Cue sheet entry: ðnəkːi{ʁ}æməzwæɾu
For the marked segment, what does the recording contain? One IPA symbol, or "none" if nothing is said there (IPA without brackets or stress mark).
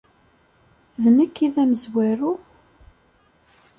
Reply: ð